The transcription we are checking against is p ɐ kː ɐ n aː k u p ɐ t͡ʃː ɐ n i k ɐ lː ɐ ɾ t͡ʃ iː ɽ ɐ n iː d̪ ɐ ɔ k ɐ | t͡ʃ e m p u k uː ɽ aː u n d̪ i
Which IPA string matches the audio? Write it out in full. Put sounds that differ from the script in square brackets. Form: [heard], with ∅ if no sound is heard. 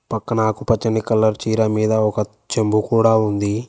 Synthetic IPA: p ɐ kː ɐ n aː k u p ɐ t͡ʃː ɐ n i k ɐ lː ɐ ɾ t͡ʃ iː [ɾ] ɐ [m] iː d̪ ɐ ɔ k ɐ | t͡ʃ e m [b] u k uː ɽ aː u n d̪ i